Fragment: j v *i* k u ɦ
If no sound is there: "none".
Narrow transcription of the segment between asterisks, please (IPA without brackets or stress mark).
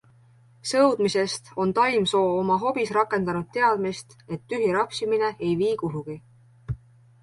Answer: iː